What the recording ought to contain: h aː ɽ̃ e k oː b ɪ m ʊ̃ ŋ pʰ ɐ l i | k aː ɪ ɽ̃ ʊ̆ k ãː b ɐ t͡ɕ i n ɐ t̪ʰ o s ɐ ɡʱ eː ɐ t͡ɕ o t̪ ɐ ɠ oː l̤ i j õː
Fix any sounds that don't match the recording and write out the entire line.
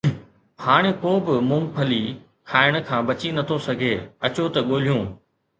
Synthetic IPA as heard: h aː ɽ̃ e k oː b ɪ m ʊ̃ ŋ pʰ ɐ l i | kʰ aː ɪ ɽ̃ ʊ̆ kʰ ãː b ɐ t͡ɕ i n ɐ t̪ʰ o s ɐ ɡʱ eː ɐ t͡ɕ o t̪ ɐ ɠ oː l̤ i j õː